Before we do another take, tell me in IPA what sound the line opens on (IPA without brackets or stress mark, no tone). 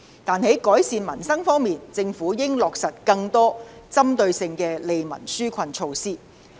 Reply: t̪